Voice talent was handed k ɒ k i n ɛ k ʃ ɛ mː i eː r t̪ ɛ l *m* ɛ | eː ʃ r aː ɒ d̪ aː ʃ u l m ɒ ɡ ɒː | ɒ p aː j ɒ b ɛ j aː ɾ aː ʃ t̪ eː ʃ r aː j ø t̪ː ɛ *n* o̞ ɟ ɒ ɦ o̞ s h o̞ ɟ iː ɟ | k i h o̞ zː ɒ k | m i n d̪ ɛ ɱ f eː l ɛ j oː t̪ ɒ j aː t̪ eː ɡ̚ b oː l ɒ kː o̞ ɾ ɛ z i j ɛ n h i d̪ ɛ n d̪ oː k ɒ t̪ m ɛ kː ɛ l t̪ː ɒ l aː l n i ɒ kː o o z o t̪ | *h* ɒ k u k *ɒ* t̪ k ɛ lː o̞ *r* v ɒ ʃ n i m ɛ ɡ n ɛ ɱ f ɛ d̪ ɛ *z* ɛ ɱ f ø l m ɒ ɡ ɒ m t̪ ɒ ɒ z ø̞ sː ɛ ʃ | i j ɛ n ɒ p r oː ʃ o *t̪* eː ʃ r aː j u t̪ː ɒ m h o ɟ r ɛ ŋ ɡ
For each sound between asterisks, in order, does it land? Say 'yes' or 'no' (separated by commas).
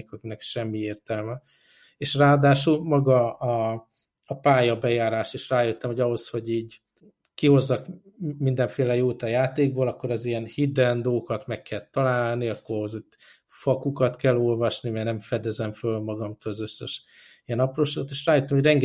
yes, no, no, yes, no, yes, yes